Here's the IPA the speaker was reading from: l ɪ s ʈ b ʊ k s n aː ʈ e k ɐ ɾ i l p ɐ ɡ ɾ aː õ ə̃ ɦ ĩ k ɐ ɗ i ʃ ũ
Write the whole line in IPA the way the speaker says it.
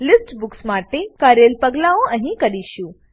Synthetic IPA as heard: l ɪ s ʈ b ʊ k s m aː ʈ e k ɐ ɾ e l p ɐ ɡ l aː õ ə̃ ɦ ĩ k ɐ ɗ i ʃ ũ